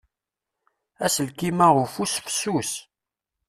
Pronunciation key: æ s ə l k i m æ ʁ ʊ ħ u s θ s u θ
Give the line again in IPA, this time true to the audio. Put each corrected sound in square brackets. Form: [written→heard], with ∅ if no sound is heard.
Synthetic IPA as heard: æ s ə l k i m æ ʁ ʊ [ħ→f] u s [θ→f] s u [θ→s]